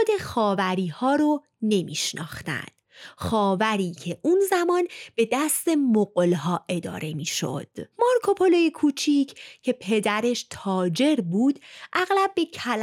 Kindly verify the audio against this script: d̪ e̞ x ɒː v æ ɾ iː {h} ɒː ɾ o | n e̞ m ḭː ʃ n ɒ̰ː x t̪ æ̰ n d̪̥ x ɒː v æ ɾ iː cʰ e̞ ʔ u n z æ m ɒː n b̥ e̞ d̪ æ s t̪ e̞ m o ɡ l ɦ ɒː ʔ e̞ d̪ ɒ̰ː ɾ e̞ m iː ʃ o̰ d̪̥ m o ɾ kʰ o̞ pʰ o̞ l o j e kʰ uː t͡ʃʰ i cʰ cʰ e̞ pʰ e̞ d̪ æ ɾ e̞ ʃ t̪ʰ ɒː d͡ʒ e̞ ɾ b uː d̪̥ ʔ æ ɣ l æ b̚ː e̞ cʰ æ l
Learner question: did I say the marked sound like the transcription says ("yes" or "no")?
yes